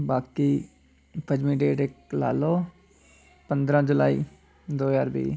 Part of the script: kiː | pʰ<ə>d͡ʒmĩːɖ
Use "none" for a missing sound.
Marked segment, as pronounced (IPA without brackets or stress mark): ə